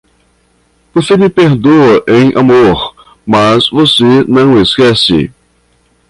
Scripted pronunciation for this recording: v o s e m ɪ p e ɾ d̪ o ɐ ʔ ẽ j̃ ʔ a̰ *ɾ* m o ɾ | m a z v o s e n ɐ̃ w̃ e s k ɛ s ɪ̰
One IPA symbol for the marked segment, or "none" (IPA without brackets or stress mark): none